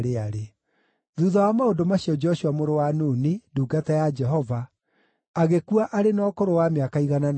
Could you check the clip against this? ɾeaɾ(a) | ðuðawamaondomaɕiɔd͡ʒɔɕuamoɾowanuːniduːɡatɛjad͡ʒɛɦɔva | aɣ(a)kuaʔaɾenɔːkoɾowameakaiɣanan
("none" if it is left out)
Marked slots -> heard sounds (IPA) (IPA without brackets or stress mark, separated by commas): e, e